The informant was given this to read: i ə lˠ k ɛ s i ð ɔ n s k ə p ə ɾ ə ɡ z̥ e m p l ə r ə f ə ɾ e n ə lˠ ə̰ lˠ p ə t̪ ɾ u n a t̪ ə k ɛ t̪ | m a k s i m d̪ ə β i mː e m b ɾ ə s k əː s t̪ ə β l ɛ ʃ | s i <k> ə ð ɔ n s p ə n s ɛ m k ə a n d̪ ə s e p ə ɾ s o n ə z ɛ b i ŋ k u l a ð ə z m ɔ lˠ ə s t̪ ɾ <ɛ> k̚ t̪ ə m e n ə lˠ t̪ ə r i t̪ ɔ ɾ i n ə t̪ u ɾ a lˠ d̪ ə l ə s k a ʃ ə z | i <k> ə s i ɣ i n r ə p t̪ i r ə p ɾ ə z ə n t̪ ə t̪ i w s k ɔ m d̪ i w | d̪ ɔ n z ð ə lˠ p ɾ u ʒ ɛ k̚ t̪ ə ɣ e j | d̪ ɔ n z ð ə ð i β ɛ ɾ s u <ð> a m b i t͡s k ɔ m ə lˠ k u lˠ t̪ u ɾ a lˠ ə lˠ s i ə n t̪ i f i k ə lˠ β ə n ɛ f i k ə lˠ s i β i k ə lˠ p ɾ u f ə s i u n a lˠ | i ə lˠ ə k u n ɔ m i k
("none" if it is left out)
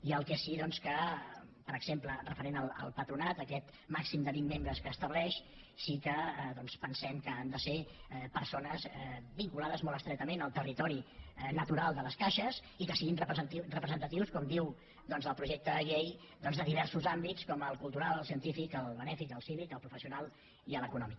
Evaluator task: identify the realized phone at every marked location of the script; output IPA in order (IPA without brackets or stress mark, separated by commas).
k, ɛ, k, z